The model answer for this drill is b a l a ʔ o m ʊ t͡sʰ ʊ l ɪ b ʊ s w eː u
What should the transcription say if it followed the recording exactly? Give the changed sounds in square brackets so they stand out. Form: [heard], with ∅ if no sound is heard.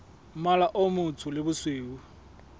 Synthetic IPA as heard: [m] a l a ʔ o m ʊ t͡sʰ ʊ l ɪ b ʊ s w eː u